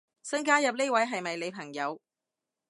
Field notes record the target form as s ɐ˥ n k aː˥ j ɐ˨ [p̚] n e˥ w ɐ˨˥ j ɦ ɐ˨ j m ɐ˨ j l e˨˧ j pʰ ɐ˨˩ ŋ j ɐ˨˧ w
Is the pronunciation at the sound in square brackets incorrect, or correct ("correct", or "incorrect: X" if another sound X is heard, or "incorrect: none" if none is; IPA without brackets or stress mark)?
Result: correct